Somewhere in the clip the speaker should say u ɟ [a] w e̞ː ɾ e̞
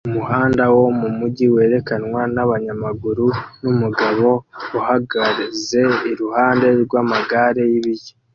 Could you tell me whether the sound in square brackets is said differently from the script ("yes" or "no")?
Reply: yes